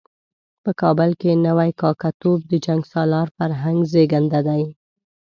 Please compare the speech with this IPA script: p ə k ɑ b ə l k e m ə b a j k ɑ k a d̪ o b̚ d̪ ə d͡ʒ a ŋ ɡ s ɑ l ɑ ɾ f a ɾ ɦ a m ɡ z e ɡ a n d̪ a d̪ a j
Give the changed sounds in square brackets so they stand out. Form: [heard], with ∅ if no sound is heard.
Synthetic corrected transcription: p ə k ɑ b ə l k e [n] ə [w] a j k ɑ k a [t̪] o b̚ d̪ ə d͡ʒ a ŋ ɡ s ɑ l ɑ ɾ f a ɾ ɦ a [ŋ] ɡ z e ɡ a n d̪ a d̪ a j